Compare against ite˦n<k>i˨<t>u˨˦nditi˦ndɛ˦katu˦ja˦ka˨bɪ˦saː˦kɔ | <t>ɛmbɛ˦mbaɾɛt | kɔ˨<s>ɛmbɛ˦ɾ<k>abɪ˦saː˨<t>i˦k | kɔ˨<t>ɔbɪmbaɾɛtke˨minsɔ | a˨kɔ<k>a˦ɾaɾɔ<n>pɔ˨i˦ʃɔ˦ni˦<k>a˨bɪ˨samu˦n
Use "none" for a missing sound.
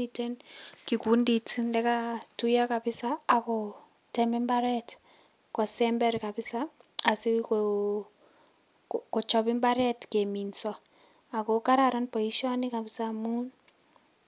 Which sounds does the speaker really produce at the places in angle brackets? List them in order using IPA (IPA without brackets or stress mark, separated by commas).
k, k, t, s, k, s, t͡ʃ, k, n, k